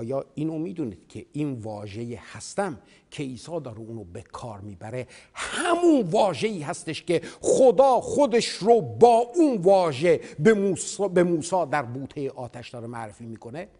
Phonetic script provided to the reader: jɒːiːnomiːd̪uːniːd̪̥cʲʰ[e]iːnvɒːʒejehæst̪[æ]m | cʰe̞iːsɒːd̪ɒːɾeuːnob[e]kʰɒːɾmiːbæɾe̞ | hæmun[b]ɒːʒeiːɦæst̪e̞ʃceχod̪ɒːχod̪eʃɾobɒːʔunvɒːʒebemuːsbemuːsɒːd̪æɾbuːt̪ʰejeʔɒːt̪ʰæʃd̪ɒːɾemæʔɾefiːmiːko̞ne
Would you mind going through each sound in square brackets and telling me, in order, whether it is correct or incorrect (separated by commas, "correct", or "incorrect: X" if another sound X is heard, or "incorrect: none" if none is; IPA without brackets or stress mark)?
correct, correct, correct, incorrect: v